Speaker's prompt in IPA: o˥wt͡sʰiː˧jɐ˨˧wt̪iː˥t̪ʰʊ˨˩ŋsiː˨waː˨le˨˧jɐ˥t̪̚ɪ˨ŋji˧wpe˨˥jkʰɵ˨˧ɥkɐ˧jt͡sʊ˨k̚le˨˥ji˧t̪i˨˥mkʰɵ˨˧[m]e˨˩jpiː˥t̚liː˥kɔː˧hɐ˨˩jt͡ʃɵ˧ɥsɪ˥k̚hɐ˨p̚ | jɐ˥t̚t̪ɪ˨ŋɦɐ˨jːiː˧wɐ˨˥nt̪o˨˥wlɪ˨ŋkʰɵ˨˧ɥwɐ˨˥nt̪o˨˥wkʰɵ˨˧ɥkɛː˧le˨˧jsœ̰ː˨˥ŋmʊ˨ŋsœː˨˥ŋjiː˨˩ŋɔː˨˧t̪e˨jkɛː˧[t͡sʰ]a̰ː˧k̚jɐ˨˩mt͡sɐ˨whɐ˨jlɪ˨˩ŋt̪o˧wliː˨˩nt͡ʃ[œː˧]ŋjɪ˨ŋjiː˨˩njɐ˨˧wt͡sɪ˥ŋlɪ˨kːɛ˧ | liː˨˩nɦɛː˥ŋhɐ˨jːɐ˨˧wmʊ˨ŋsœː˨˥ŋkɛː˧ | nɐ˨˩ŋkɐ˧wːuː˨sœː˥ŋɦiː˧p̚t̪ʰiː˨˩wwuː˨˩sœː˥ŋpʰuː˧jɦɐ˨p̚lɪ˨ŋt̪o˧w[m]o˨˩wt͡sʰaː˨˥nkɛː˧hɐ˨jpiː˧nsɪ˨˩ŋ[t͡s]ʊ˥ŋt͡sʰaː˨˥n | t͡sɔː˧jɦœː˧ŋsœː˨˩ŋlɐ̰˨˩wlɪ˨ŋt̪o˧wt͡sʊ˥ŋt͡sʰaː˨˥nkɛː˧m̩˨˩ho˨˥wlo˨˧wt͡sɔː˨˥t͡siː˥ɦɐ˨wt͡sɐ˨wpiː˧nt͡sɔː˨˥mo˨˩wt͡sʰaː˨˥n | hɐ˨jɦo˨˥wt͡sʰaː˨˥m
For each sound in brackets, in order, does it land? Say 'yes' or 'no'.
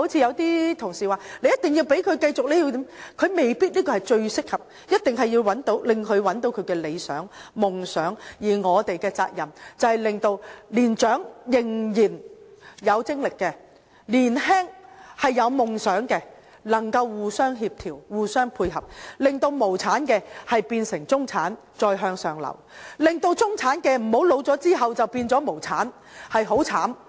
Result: yes, no, no, yes, yes

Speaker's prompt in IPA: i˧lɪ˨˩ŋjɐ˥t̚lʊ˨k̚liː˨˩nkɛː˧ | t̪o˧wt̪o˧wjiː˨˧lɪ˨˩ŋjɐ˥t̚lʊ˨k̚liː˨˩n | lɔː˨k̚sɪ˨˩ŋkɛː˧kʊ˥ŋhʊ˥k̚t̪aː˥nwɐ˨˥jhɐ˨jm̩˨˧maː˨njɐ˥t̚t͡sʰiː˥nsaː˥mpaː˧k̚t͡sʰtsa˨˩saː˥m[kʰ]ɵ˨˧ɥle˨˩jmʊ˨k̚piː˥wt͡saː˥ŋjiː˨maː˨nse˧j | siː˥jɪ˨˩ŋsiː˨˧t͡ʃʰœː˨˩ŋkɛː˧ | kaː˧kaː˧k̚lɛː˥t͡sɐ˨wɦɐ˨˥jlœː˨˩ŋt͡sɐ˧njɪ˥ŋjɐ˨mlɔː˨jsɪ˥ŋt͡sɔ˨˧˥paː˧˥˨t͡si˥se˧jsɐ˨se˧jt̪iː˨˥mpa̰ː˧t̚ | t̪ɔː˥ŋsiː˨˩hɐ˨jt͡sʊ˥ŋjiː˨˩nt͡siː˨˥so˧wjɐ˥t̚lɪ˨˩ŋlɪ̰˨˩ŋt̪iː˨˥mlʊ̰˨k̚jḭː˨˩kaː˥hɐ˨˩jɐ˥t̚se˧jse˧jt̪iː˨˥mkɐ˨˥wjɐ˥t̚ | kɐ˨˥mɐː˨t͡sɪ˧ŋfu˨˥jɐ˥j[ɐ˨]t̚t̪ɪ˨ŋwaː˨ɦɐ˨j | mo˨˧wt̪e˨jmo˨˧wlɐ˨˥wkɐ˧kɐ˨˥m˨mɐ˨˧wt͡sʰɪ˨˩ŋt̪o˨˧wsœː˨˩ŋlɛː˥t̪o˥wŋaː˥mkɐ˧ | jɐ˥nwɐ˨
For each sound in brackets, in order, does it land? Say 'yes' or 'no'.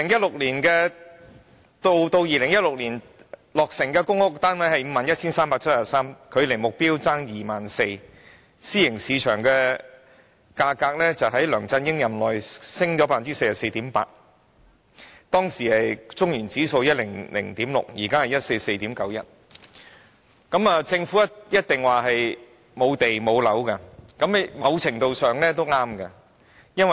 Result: yes, no

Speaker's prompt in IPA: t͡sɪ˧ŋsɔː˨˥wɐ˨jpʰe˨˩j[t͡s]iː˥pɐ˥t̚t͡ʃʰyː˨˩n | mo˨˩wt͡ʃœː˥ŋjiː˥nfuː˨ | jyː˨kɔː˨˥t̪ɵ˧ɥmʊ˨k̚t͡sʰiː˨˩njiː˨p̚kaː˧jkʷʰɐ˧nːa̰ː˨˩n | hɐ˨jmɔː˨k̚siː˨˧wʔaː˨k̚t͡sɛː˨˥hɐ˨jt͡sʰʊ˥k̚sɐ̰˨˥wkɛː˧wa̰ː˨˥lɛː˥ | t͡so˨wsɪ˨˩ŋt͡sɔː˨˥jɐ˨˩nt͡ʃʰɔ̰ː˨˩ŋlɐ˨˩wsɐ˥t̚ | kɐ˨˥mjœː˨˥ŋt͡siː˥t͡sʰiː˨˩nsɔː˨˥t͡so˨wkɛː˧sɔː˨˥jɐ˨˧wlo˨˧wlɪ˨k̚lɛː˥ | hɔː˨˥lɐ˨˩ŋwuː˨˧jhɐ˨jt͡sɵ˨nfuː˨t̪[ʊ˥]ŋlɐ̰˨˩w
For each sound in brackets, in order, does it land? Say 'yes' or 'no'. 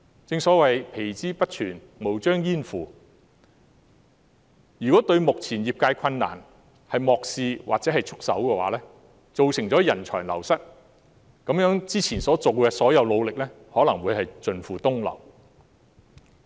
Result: yes, yes

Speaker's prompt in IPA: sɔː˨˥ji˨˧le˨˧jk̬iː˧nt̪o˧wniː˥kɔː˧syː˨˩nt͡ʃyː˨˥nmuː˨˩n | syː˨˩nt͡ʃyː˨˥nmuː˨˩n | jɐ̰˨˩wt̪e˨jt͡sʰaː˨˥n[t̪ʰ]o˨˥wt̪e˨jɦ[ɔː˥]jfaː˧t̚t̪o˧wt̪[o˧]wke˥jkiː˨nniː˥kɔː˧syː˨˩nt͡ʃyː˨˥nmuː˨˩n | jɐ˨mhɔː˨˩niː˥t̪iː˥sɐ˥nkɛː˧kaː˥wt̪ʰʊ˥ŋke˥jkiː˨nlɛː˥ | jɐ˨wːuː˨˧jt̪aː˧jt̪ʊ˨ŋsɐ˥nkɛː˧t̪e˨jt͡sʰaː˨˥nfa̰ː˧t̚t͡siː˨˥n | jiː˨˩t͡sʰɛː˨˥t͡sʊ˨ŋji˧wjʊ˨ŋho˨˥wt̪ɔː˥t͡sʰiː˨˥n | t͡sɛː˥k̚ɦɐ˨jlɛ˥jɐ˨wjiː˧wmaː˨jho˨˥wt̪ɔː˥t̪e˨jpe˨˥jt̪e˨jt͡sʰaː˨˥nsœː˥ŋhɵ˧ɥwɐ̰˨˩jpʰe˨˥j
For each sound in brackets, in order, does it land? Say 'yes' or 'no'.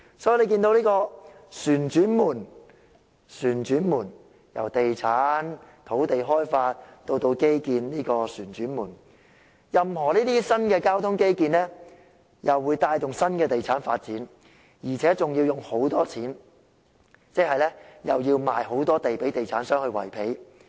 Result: yes, yes, yes

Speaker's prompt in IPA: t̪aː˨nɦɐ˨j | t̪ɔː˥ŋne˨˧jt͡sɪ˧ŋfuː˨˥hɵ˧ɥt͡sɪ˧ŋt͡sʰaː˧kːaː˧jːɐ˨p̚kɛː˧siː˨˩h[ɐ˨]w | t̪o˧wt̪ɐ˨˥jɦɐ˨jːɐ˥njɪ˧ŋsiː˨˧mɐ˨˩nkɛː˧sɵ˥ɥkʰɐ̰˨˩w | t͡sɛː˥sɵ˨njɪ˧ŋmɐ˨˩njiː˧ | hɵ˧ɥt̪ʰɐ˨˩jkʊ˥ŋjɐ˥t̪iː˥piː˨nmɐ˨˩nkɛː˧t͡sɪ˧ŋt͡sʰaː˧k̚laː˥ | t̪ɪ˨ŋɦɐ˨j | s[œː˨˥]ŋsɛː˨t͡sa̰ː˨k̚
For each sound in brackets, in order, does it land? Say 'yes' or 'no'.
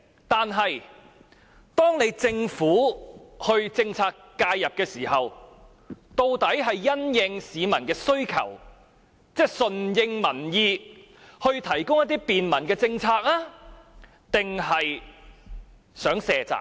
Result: yes, yes

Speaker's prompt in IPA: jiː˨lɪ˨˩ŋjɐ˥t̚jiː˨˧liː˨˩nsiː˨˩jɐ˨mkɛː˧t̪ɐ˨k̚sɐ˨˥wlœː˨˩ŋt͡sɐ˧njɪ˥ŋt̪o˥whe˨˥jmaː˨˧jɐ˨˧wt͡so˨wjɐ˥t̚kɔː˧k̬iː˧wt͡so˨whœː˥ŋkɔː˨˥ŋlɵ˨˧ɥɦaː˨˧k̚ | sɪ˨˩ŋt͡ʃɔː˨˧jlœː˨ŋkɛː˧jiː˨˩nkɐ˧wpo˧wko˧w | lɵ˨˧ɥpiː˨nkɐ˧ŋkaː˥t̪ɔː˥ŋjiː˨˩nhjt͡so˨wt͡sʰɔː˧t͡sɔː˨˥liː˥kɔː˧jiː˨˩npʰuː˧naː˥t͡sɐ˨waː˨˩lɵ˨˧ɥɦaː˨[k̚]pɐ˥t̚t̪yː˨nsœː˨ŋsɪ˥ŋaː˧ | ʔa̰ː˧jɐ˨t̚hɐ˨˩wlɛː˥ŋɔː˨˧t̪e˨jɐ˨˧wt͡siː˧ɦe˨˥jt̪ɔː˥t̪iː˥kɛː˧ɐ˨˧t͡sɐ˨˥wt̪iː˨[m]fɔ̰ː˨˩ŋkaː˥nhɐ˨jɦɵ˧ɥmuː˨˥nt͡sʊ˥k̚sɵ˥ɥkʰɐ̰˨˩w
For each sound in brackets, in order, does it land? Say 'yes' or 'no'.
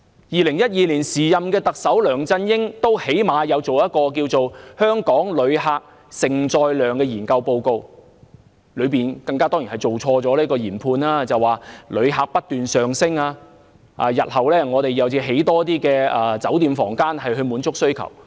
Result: yes, yes

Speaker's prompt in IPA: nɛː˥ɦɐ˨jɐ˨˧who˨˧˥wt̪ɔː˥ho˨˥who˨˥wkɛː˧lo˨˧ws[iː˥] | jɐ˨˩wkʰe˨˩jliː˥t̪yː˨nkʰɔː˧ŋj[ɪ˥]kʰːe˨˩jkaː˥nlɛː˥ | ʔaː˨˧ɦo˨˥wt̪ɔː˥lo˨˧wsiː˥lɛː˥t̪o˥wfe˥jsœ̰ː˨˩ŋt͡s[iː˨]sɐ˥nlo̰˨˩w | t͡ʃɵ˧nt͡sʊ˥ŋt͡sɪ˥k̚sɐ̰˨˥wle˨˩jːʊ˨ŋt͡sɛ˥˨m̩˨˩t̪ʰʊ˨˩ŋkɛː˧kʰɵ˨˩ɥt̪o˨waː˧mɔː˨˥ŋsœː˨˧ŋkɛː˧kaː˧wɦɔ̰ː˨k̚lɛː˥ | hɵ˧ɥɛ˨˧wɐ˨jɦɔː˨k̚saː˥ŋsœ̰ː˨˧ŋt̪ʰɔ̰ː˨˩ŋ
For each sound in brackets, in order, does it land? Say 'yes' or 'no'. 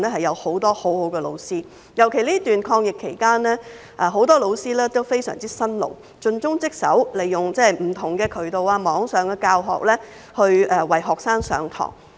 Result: yes, no, no

